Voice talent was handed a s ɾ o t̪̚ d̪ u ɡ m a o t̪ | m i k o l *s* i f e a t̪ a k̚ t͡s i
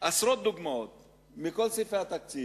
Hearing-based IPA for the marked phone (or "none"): s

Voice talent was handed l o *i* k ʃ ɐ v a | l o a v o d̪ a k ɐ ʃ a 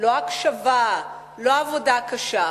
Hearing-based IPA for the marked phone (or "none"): a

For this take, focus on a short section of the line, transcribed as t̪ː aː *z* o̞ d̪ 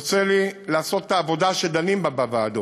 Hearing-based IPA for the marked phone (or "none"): v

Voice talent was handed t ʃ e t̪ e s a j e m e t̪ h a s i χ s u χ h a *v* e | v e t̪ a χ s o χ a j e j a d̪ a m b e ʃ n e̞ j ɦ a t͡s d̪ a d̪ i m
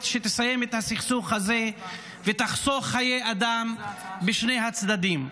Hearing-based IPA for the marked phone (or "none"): z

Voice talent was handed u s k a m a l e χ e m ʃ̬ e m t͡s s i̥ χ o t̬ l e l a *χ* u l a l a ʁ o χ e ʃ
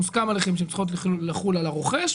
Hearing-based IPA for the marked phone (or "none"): χ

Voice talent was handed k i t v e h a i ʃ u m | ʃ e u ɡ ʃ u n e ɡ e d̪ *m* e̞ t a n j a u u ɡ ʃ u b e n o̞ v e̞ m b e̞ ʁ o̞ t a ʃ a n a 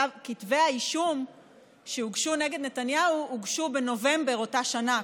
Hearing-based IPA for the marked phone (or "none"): n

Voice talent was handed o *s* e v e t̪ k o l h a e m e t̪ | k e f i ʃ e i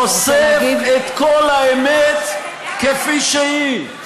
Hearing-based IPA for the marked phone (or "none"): s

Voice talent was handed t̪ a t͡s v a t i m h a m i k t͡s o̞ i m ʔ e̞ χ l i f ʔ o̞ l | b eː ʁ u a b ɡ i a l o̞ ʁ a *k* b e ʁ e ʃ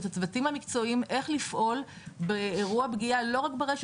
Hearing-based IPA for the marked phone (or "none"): k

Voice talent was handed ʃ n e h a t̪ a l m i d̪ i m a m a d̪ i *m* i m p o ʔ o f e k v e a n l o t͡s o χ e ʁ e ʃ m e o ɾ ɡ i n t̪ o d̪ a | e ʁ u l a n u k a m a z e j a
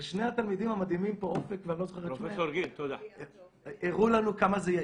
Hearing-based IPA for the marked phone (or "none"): m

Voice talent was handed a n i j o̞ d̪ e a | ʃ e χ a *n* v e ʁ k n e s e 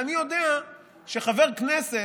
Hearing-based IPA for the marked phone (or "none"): none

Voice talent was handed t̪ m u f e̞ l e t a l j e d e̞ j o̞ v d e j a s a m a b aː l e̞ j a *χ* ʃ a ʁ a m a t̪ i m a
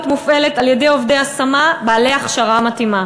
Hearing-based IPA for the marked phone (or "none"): χ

